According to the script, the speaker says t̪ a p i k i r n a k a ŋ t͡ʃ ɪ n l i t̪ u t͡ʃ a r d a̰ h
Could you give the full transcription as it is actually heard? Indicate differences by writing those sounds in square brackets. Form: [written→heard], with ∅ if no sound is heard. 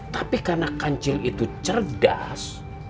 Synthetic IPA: t̪ a p i k [i→a] r n a k a [ŋ→ɲ] t͡ʃ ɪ [n→∅] l i t̪ u t͡ʃ [a→ə] r d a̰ [h→s]

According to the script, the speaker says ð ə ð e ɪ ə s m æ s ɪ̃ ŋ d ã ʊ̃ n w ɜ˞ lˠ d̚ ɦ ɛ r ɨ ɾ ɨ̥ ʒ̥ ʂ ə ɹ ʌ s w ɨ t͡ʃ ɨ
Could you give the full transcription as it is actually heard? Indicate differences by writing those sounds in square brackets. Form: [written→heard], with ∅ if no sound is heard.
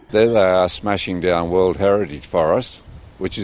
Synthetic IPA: ð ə ð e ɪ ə s m æ [s→ʃ] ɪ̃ ŋ d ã ʊ̃ n w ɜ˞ lˠ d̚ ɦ ɛ [r→ɹ] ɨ ɾ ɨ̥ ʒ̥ [ʂ→f] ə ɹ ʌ s w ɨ t͡ʃ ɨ

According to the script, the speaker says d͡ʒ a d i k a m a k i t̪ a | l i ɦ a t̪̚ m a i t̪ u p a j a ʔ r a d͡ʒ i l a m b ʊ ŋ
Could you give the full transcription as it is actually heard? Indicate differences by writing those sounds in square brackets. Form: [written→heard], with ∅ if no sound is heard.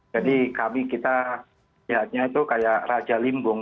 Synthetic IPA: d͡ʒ a d i k a m [a→i] k i t̪ a | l i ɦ a t̪̚ [m→ɲ] a i t̪ u [p→k] a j a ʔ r a d͡ʒ [i→a] l [a→i] m b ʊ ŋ

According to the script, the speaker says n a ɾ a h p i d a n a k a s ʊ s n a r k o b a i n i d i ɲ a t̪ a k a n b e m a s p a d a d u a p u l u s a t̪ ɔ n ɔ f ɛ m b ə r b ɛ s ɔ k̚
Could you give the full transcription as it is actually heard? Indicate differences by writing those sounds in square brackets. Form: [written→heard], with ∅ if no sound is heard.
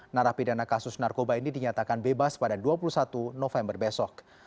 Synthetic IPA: n a ɾ a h p i d a n a k a s ʊ s n a r k o b a i n i d i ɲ a t̪ a k a n b e [m→b] a s p a d a d u a p u l u s a t̪ [ɔ→u] n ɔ f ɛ m b ə r b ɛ s ɔ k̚

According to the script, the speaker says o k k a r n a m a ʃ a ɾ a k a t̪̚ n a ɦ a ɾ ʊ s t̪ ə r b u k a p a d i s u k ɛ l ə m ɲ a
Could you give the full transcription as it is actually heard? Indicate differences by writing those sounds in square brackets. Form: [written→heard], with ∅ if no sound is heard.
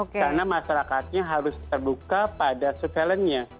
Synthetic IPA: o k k a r n a m a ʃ a ɾ a k a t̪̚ [n→ɲ] a ɦ a ɾ ʊ s t̪ ə r b u k a p a d [i→a] s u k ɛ l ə [m→n] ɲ a

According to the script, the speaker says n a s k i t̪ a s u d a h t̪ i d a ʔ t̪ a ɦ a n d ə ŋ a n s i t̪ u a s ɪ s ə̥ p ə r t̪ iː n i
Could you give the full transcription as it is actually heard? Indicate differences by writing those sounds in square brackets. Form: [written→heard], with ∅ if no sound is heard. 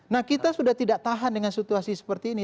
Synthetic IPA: n a [s→h] k i t̪ a s u d a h t̪ i d a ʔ t̪ a ɦ a n d ə ŋ a n s i t̪ u a s [ɪ→i] s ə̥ p ə r t̪ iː n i

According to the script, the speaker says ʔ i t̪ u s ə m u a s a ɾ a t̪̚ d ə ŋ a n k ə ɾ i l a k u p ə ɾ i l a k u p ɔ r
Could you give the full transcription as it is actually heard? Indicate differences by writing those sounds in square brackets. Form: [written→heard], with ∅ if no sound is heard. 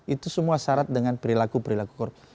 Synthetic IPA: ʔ i t̪ u s ə m u a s a ɾ a t̪̚ d ə ŋ a n [k→p] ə ɾ i l a k u p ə ɾ i l a k u [p→k] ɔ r

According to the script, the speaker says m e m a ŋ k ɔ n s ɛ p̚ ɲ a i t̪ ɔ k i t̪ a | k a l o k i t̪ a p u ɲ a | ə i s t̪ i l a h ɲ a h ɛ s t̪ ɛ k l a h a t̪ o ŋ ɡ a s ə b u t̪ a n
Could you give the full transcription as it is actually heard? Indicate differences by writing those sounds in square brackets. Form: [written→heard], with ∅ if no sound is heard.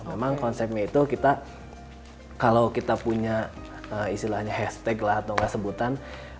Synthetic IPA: m e m a ŋ k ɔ n s ɛ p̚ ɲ a i t̪ [ɔ→u] k i t̪ a | k a l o k i t̪ a p u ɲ a | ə i s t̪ i l a h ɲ a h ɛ s t̪ ɛ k l a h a t̪ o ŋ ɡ a s ə b u t̪ a n

